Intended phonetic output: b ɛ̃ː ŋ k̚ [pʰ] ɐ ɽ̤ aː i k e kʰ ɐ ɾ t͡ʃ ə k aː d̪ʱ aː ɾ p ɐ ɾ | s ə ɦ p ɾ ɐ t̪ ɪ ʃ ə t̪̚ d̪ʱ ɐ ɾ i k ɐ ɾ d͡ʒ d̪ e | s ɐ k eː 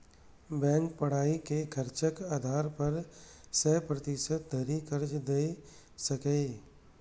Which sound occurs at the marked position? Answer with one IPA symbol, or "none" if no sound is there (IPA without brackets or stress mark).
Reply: p